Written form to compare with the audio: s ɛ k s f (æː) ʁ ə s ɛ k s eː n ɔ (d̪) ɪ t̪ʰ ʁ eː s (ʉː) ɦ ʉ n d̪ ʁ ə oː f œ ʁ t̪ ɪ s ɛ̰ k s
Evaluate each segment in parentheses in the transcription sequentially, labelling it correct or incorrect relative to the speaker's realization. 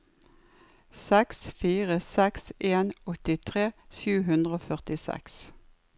incorrect: iː, incorrect: t̪, correct

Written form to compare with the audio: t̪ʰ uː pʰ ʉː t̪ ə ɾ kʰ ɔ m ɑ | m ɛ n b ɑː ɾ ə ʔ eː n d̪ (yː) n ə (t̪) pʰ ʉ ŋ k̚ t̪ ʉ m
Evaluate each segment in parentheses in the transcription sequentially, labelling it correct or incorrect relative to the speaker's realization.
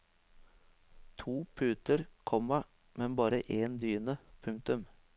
correct, incorrect: none

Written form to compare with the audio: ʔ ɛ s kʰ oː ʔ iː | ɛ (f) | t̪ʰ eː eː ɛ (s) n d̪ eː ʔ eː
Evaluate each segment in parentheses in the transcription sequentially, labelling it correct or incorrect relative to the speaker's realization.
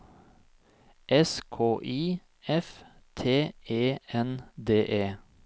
correct, incorrect: none

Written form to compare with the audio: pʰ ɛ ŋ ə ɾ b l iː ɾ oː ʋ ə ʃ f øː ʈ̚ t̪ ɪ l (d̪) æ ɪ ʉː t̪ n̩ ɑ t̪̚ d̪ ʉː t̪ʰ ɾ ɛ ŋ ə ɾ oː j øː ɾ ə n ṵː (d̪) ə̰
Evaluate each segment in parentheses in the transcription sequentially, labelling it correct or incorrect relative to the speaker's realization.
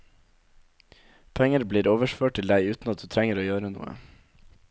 correct, incorrect: none

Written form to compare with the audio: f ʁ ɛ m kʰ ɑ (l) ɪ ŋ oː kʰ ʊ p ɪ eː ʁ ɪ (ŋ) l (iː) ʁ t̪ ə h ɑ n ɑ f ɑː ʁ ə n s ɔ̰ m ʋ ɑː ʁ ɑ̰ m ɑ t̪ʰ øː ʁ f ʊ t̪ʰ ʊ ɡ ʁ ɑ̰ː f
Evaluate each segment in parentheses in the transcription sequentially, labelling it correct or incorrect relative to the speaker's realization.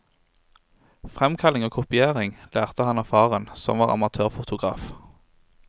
correct, correct, incorrect: æː

